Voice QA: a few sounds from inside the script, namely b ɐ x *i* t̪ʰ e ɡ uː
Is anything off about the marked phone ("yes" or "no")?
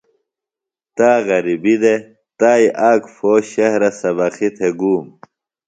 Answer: no